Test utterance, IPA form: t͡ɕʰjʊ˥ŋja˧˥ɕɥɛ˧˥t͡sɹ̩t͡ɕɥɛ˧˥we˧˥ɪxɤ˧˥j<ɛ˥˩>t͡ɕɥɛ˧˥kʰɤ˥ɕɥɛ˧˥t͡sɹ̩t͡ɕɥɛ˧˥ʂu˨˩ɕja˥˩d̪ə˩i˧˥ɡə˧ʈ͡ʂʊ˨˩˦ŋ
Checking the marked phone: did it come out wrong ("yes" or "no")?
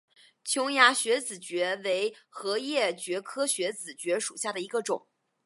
no